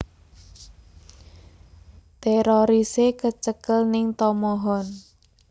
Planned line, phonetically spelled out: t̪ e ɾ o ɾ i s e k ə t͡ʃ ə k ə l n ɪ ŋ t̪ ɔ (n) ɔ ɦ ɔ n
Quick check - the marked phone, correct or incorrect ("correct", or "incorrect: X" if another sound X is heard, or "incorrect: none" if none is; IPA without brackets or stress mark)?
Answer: incorrect: m